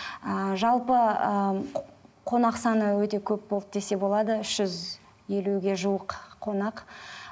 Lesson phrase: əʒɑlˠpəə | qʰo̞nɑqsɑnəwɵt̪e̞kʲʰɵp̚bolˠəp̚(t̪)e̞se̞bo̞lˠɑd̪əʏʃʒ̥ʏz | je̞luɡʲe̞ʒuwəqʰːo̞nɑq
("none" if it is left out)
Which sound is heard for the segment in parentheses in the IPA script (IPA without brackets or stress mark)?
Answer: d̪